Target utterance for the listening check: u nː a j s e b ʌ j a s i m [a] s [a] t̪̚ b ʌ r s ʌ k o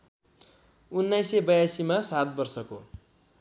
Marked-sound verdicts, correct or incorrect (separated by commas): correct, correct